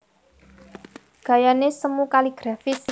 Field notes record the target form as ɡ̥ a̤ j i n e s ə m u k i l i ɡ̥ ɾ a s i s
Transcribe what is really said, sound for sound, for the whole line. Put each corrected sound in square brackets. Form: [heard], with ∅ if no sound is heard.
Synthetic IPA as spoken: ɡ̥ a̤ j [a] n e s ə m u k [a] l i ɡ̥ ɾ a [f] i s